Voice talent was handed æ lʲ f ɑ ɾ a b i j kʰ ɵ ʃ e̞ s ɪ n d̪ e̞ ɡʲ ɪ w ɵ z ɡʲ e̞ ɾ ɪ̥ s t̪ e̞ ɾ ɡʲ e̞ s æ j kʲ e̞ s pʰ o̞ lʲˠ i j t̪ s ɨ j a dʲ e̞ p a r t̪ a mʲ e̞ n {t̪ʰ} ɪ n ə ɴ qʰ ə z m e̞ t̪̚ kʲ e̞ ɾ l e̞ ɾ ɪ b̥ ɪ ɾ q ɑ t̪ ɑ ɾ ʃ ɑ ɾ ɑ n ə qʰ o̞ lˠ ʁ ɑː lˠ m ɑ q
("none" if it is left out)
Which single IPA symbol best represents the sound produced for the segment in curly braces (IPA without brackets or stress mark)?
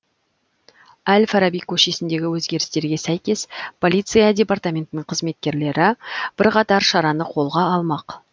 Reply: t̪